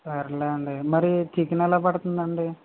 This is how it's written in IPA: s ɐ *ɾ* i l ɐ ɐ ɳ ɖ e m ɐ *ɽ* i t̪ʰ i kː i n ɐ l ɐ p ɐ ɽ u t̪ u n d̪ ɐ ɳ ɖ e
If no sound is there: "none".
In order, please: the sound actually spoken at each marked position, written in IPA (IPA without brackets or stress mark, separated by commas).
ɾ, ɾ